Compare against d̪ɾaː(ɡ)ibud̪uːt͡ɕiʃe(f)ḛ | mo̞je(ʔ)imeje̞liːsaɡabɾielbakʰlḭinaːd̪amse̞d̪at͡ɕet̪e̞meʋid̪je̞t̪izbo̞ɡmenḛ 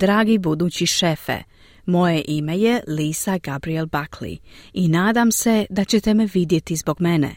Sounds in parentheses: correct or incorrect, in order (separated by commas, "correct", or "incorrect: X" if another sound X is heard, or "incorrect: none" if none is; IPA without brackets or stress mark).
correct, correct, correct